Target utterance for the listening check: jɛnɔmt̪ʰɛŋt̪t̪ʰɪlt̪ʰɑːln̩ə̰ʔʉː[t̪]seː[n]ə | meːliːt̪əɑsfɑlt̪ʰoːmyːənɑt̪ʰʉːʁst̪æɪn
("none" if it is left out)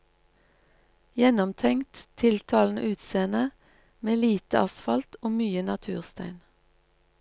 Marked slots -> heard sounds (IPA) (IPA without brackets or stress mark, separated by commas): t̪, n